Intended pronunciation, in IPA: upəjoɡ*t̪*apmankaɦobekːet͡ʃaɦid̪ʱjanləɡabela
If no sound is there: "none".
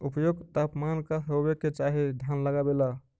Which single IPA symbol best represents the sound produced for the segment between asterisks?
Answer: t̪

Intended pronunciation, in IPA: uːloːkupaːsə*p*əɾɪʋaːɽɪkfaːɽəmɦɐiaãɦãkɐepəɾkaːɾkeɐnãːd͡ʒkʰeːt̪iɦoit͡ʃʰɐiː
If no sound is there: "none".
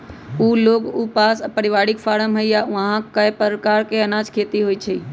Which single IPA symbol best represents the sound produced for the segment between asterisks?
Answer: p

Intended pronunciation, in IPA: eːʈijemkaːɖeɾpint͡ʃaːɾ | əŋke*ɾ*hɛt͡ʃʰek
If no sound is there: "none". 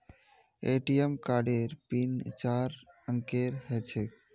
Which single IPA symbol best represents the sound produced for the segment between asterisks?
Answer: ɾ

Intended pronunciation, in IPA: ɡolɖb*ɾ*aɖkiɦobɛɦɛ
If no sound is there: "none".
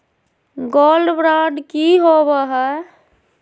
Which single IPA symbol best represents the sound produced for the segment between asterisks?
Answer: ɾ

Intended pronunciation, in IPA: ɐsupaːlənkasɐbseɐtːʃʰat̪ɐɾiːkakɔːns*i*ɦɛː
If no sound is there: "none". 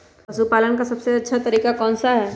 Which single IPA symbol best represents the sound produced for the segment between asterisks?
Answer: a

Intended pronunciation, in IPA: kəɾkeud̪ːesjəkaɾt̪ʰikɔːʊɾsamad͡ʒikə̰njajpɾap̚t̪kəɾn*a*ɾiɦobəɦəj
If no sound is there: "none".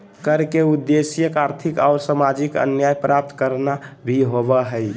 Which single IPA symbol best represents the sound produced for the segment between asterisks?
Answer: a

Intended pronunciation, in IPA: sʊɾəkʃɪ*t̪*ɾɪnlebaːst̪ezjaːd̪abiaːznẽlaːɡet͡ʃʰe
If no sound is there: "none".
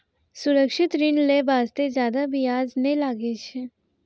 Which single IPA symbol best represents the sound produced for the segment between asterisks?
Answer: t̪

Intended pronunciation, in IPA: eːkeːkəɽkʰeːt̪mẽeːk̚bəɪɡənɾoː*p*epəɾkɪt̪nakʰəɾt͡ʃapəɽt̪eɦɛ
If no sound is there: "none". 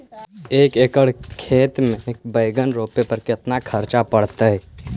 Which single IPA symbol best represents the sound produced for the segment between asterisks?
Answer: p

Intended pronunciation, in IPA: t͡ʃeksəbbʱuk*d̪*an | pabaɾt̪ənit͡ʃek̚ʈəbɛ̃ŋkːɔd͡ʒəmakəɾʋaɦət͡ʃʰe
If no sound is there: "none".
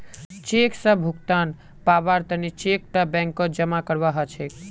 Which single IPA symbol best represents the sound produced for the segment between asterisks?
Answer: t̪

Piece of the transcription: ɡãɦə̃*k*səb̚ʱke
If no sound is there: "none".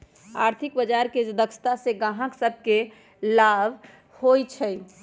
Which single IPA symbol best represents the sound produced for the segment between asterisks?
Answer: k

